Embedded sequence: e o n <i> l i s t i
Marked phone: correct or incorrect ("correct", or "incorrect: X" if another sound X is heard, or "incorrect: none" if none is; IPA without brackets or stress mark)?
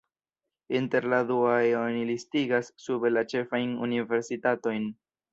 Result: correct